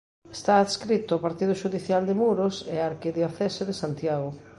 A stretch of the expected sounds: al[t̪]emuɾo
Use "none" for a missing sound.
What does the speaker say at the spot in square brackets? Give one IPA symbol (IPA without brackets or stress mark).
d̪